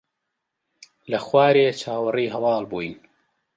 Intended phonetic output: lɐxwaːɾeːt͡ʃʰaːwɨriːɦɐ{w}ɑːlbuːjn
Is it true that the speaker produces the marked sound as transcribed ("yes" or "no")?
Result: yes